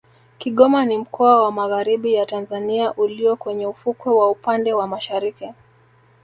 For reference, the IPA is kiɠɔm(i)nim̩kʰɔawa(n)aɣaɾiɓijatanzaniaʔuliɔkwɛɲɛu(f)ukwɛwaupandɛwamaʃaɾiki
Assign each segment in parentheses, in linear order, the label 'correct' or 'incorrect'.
incorrect, incorrect, correct

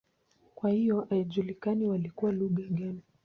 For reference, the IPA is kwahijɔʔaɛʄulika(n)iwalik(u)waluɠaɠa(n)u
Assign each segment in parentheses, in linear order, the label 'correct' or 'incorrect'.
correct, correct, correct

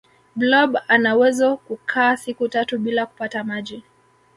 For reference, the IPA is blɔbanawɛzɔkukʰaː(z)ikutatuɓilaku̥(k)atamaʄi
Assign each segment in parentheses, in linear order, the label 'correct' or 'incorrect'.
incorrect, incorrect

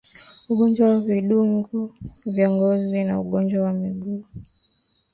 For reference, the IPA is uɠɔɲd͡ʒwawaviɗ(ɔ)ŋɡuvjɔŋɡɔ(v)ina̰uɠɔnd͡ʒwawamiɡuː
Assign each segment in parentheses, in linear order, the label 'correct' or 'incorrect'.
incorrect, incorrect

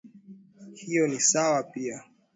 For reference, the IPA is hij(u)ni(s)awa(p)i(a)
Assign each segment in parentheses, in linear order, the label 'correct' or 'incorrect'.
incorrect, correct, correct, correct

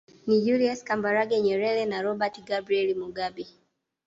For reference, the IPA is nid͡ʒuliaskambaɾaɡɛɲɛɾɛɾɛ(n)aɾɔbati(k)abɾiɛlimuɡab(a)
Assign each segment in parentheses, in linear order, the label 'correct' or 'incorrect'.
correct, incorrect, incorrect

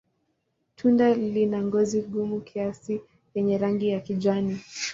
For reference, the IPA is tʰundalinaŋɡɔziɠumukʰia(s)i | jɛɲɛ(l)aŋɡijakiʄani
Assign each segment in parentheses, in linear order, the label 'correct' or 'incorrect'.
correct, incorrect

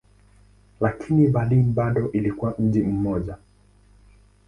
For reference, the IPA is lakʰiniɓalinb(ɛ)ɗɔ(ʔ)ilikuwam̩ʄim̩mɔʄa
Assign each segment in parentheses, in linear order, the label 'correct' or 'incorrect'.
incorrect, correct

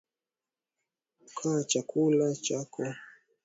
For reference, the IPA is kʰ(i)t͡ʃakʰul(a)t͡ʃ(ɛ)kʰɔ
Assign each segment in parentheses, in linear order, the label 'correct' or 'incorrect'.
incorrect, correct, incorrect

